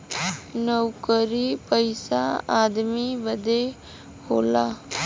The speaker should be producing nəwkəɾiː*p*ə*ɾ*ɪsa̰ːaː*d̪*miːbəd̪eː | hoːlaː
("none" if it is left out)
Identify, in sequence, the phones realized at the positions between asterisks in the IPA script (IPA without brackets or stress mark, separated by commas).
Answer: p, none, d̪